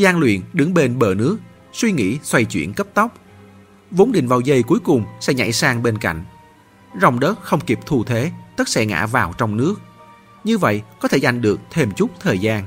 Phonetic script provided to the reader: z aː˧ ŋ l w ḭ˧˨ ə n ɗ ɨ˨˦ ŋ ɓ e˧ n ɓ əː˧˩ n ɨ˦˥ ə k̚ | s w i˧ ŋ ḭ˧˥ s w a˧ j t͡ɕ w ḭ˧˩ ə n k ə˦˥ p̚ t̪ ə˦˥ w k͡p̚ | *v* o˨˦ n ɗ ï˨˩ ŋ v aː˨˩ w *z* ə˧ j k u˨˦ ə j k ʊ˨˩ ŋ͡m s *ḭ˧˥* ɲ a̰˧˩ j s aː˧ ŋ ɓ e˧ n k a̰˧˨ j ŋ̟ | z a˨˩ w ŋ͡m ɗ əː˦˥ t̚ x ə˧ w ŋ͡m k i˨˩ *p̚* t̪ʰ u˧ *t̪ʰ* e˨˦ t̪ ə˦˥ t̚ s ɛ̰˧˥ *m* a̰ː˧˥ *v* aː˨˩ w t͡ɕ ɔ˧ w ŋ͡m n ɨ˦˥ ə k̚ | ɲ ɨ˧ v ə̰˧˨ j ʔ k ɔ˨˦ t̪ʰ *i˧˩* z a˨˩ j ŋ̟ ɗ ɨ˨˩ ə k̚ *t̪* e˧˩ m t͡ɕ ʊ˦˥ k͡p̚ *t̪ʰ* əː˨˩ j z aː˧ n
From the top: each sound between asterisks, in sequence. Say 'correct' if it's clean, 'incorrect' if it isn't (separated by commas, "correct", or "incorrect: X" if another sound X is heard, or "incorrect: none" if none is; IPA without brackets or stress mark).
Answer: correct, correct, incorrect: ɛ̰˧˥, correct, correct, incorrect: ŋ, correct, incorrect: e˧˩, incorrect: t̪ʰ, correct